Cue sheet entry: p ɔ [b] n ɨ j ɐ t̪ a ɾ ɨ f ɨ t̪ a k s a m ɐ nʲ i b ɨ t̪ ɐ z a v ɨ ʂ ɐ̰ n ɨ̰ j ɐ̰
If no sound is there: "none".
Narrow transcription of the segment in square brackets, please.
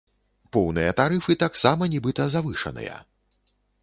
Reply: w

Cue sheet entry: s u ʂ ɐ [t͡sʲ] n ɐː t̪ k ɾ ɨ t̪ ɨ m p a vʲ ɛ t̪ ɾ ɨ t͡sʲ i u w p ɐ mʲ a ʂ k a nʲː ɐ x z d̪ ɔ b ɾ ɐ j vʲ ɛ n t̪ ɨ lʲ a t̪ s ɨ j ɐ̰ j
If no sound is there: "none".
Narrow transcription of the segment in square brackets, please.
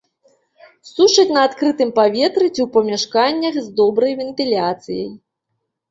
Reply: t͡sʲ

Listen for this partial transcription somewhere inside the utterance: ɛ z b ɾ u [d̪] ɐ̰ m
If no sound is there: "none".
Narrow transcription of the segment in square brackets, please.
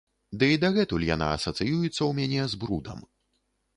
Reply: d̪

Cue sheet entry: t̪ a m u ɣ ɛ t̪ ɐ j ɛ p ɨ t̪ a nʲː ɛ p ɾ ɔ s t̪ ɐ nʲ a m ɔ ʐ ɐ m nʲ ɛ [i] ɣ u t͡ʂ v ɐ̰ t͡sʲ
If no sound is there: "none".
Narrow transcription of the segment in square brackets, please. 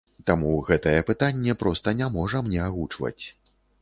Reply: a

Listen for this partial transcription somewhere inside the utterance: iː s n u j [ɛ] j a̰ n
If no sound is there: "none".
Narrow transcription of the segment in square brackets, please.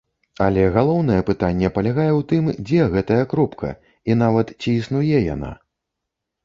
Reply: ɛ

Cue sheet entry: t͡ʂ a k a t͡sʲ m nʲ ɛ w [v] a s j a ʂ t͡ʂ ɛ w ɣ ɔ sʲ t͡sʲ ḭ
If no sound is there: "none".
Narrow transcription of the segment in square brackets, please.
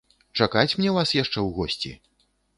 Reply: v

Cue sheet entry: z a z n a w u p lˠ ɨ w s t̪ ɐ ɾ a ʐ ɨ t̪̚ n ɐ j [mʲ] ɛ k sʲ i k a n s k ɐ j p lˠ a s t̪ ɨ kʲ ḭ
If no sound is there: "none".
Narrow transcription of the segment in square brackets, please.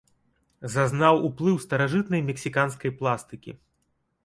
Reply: mʲ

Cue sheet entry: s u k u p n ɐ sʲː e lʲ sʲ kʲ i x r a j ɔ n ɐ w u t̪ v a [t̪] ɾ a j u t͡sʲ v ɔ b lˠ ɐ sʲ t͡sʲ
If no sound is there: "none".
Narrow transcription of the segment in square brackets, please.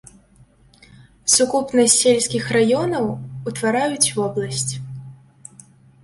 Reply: none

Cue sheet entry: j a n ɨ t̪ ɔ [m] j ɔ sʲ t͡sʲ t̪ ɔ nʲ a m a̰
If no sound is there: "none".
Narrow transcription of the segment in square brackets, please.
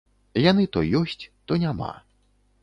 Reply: none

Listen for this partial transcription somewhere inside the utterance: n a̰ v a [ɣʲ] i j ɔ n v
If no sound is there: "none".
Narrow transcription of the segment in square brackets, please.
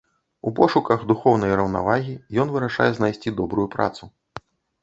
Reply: ɣʲ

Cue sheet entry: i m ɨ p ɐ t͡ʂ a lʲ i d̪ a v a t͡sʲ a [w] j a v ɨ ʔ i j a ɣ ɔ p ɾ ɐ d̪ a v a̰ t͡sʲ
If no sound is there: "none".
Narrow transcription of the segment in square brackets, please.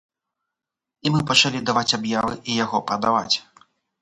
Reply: b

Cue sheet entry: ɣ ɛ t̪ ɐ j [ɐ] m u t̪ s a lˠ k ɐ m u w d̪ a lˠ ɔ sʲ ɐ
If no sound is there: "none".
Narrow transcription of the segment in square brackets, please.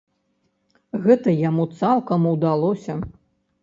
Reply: a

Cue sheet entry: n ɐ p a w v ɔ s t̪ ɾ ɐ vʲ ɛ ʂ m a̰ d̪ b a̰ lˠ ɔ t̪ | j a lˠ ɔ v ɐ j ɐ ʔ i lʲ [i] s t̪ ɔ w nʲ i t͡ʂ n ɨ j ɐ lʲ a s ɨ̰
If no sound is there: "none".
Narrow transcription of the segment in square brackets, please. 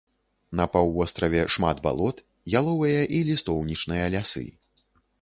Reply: i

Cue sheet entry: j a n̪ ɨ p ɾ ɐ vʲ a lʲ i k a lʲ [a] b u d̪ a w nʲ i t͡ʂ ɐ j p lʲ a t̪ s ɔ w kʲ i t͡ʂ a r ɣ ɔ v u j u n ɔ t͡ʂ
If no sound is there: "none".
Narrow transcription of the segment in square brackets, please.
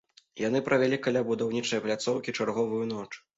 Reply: a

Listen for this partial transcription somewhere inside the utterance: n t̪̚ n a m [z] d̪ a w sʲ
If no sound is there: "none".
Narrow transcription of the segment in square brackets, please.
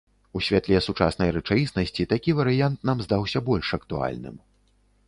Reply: z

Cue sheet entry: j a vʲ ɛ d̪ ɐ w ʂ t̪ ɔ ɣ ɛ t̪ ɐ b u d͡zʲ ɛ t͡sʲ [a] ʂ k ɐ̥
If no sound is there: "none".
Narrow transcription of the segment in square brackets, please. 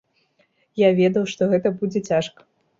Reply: a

